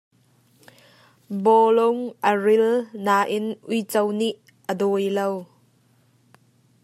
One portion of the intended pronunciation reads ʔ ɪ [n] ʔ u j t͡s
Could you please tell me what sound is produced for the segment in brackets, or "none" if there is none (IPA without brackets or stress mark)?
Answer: n